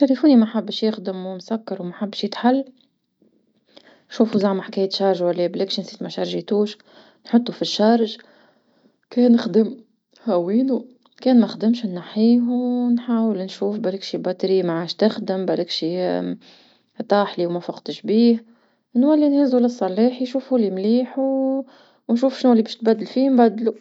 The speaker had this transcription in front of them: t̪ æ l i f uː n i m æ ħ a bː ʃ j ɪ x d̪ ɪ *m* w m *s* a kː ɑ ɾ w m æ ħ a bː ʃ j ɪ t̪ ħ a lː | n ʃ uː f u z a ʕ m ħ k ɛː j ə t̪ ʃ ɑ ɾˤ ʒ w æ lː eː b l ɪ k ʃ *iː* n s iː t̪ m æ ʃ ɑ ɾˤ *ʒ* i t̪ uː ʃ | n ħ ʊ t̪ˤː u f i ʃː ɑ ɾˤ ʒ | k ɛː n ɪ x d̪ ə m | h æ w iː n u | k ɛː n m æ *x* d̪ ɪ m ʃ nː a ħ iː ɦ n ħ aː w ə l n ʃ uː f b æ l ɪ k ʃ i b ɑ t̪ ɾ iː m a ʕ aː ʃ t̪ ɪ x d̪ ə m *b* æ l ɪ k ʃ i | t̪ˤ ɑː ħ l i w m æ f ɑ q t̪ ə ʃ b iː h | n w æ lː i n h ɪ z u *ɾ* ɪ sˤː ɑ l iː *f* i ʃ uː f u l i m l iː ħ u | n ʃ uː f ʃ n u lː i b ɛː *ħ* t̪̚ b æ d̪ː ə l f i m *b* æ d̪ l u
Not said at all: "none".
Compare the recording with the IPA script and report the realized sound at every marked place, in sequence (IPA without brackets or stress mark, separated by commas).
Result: m, s, i, ʒ, x, b, l, ħ, ʃ, b